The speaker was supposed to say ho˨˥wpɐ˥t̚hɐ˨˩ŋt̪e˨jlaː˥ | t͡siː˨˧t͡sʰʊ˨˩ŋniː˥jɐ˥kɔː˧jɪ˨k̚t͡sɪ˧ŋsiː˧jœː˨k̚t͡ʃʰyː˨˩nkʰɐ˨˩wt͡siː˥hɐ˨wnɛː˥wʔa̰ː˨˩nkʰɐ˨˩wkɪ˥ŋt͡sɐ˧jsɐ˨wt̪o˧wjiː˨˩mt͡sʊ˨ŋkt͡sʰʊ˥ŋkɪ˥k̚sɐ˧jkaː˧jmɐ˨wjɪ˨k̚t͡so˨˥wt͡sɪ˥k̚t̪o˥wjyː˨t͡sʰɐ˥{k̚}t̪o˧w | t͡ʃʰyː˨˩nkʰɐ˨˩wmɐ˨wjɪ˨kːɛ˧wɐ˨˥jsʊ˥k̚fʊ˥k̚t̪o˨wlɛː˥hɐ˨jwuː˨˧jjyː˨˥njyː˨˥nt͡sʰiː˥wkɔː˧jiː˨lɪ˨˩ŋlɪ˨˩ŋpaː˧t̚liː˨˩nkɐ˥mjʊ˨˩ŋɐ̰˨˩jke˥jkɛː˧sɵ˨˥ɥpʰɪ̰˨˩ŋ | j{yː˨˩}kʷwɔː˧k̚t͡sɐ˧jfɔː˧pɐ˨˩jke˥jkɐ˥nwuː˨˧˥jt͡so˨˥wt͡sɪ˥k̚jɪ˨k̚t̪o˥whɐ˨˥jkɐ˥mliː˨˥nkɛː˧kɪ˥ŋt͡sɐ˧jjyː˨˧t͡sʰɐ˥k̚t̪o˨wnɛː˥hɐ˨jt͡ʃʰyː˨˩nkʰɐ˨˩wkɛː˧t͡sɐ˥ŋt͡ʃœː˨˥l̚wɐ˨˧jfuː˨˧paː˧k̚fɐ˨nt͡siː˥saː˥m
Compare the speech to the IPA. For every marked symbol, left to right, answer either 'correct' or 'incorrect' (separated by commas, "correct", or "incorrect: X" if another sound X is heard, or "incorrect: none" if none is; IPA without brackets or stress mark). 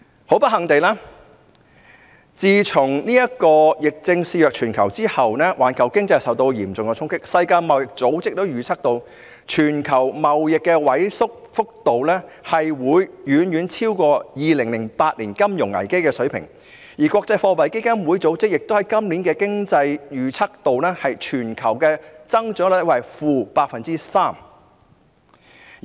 correct, incorrect: iː˨˩